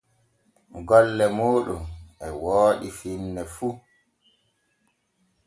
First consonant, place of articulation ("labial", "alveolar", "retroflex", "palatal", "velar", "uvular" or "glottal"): velar